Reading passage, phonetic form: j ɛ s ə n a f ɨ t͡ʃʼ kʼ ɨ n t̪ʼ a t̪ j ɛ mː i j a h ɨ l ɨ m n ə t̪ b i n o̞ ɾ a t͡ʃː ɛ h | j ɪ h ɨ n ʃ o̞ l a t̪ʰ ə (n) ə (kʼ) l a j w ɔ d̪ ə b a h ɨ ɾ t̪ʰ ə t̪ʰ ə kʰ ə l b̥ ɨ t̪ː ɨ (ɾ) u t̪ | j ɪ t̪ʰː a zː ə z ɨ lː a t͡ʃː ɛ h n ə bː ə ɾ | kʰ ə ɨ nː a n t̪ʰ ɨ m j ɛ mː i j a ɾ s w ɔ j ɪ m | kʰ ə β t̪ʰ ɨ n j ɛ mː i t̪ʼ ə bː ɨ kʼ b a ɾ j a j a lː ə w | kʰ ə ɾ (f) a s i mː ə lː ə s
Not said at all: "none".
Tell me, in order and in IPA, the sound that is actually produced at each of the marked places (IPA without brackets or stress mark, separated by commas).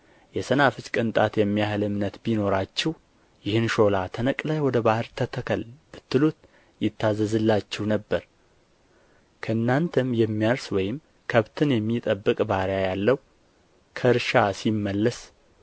n, kʼ, l, ʃ